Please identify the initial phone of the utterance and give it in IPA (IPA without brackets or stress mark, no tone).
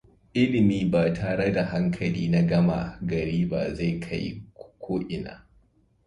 ʔ